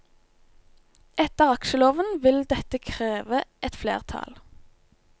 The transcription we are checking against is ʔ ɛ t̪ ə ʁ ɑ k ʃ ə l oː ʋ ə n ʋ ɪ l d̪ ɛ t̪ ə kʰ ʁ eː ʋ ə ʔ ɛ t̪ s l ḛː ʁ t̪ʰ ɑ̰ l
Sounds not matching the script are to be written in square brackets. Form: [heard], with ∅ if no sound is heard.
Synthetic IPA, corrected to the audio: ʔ ɛ t̪ ə ʁ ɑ k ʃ ə l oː ʋ ə n ʋ ɪ l d̪ ɛ t̪ ə kʰ ʁ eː ʋ ə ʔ ɛ t̪ [f] l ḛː ʁ t̪ʰ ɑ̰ l